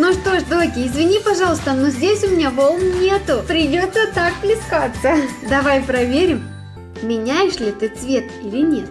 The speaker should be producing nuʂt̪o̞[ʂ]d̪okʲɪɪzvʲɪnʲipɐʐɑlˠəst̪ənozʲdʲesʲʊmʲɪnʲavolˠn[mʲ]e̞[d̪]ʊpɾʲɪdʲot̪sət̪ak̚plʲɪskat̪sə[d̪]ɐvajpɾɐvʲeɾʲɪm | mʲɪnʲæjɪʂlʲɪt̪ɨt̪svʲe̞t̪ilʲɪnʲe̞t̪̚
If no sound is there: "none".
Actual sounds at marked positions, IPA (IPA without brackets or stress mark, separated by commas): ʂ, nʲ, t̪, d̪